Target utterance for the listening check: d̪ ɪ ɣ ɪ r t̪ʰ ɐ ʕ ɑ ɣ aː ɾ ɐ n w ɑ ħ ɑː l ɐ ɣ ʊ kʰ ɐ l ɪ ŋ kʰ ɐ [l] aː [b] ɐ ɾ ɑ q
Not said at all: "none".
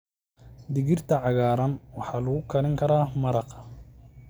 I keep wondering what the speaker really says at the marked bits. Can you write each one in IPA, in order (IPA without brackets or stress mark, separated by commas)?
ɾ, m